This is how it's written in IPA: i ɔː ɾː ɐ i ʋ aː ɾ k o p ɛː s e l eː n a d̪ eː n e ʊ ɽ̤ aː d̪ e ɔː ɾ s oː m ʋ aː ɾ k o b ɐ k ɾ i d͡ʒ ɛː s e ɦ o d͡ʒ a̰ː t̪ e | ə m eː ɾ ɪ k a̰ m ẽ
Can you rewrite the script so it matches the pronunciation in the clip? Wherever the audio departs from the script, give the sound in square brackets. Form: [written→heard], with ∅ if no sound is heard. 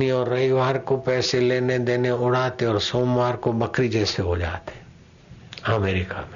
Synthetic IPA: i ɔː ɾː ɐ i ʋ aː ɾ k o p ɛː s e l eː n [a→e] d̪ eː n e ʊ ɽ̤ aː [d̪→t̪] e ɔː ɾ s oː m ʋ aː ɾ k o b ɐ k ɾ i d͡ʒ ɛː s e ɦ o d͡ʒ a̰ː t̪ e | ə m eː ɾ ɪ k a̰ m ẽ